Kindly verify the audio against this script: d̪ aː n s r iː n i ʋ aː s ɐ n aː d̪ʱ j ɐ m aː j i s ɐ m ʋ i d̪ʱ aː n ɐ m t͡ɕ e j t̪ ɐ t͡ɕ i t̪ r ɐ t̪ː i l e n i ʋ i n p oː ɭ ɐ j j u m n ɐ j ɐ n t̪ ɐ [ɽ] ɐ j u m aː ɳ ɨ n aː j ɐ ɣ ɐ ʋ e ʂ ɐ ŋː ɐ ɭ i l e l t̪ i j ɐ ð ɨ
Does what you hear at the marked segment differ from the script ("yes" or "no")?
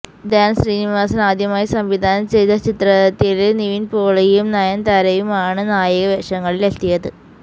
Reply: yes